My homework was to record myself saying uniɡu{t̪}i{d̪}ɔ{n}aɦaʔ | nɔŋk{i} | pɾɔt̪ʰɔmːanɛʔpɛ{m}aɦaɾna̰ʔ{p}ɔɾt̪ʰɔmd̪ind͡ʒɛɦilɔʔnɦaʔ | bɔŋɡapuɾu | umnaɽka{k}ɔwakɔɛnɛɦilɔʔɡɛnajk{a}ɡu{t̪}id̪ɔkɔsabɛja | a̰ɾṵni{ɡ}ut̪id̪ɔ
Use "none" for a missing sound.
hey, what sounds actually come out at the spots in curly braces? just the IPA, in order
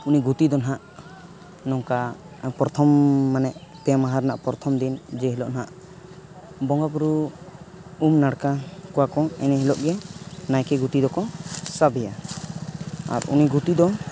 t̪, d̪, n, a, m, p, k, ɛ, t̪, ɡ

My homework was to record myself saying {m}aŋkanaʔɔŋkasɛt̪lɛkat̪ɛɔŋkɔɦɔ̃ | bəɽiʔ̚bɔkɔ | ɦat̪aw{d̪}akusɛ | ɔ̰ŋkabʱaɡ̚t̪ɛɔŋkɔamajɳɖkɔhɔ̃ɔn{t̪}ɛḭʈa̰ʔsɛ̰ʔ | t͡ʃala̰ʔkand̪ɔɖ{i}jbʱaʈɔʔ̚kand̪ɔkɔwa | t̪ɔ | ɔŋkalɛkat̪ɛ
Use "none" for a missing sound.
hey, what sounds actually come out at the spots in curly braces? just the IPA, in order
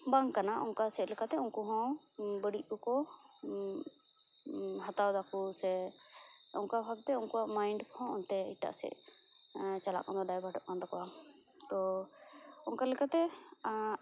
b, d̪, t̪, a

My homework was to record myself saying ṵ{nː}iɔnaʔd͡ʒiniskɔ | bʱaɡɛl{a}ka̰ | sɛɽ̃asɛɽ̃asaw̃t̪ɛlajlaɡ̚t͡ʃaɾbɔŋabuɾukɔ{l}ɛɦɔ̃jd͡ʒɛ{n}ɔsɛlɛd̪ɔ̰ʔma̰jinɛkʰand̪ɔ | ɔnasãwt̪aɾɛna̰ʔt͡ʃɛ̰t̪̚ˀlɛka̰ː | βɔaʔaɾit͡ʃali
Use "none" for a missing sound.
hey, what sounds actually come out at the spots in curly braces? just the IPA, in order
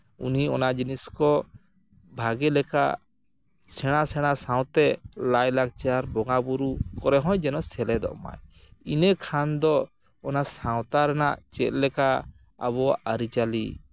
n, ɛ, ɾ, n

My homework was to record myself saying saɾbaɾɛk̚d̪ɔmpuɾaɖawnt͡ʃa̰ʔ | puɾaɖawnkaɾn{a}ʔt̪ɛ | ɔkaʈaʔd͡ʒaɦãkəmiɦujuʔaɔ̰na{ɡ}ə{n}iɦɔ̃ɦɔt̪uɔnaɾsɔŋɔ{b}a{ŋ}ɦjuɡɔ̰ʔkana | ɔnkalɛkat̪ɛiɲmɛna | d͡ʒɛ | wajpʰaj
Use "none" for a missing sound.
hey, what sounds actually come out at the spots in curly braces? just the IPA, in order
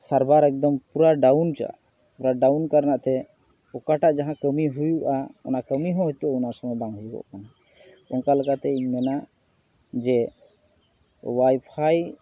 a, k, m, b, ŋ

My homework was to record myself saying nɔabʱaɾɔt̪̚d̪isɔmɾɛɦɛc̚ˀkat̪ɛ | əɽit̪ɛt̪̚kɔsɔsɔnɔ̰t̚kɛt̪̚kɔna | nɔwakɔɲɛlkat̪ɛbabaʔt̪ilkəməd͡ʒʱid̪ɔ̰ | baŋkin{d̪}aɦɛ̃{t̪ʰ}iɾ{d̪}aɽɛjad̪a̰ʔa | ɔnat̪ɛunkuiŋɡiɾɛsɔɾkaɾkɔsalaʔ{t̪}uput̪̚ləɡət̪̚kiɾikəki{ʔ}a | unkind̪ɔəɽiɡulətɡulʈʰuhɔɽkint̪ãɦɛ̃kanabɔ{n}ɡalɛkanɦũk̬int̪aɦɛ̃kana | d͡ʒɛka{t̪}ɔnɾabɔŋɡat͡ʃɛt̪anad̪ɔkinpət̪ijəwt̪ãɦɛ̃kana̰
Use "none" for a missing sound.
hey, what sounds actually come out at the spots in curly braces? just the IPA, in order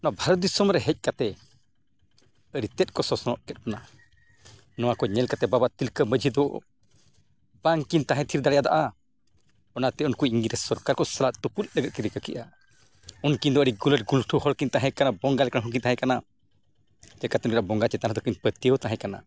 t̪, t̪ʰ, d̪, t̪, ʔ, ŋ, t̪

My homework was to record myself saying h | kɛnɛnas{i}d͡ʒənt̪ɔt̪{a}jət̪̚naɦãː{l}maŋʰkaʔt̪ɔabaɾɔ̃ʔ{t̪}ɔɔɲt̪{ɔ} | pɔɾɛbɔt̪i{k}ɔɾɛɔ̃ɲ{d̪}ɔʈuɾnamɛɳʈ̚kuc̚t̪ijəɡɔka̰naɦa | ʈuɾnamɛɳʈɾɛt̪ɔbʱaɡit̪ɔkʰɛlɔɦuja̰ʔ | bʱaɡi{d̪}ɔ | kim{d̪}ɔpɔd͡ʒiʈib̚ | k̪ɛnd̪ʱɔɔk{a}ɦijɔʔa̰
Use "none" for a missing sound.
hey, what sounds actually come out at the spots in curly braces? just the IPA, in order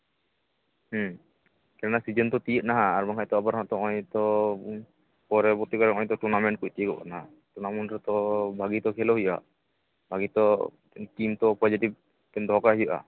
i, i, ɾ, t̪, ɔ, k, t̪, t̪, t̪, a

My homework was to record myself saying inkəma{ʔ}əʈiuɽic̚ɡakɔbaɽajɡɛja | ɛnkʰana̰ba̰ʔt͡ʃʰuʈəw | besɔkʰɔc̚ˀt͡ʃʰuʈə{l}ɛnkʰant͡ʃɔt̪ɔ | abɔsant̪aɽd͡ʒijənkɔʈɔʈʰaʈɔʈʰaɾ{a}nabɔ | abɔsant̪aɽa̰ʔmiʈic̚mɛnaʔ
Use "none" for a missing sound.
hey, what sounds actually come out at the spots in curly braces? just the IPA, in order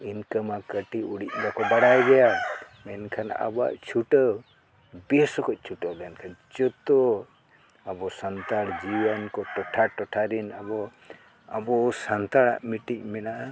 k, l, i

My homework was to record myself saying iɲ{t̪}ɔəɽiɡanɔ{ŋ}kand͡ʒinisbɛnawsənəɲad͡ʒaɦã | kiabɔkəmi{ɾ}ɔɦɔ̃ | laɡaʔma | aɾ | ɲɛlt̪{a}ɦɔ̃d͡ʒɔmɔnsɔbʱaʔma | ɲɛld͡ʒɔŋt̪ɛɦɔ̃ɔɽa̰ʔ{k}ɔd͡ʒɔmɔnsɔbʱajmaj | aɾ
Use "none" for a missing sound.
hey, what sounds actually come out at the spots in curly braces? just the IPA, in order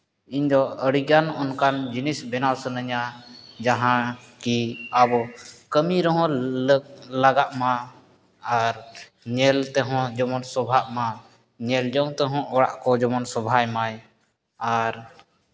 d̪, n, ɾ, ɛ, k

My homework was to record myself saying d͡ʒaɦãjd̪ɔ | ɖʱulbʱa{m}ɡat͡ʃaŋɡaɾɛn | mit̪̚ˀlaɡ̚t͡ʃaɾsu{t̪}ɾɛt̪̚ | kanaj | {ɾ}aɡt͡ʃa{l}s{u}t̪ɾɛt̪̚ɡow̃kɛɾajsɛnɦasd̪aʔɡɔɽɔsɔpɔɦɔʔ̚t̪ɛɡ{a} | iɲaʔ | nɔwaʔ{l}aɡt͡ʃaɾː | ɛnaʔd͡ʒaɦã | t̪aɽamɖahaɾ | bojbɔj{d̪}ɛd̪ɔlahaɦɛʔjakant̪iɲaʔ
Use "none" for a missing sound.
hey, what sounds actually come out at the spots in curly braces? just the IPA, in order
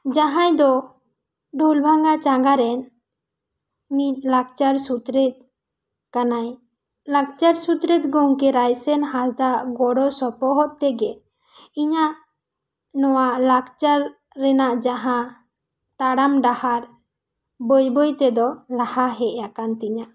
ŋ, t̪, l, ɾ, u, ɛ, l, t̪

